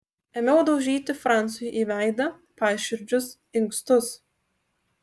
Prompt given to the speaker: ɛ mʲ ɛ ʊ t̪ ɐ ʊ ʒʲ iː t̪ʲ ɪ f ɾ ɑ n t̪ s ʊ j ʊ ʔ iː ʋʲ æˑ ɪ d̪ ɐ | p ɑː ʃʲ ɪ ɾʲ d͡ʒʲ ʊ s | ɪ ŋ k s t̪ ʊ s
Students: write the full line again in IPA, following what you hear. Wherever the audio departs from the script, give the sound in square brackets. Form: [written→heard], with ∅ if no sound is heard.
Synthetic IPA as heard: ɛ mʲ ɛ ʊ [t̪→d̪] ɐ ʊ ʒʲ iː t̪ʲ ɪ f ɾ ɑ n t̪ s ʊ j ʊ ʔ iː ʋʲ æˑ ɪ d̪ ɐ | p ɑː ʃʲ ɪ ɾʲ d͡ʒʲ ʊ s | ɪ ŋ k s t̪ ʊ s